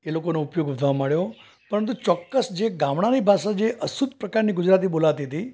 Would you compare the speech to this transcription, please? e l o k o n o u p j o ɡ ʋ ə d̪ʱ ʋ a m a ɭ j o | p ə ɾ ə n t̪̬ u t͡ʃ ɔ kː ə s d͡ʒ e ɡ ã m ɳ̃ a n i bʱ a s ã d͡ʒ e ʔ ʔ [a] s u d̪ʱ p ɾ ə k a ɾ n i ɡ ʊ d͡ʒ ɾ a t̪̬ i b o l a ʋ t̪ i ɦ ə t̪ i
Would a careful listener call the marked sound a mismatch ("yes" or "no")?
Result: yes